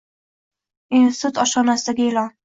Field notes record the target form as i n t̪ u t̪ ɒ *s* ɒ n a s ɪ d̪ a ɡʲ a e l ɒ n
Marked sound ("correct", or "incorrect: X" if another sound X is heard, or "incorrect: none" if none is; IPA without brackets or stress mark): incorrect: ʃ